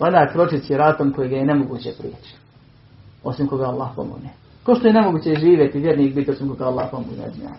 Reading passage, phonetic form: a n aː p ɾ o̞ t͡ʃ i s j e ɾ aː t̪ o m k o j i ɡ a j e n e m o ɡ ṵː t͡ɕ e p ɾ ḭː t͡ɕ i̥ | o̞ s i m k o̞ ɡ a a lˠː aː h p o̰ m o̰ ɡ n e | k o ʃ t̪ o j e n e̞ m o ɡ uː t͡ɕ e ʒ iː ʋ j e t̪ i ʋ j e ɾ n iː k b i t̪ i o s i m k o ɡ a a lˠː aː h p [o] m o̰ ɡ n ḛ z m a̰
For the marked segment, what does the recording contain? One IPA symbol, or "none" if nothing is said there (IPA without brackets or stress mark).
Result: o